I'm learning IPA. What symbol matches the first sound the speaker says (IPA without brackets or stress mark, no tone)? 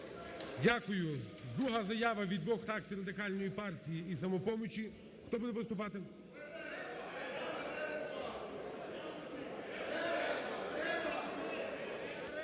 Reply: dʲ